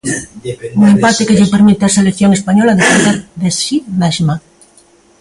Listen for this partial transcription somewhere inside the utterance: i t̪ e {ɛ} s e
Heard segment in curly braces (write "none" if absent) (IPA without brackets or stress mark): a